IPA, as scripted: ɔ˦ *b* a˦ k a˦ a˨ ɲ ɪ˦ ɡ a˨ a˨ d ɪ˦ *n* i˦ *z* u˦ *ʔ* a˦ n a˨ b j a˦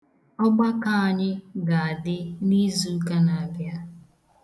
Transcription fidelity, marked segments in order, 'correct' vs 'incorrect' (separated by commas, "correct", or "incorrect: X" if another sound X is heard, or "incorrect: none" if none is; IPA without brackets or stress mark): incorrect: ɡ͡b, correct, correct, incorrect: k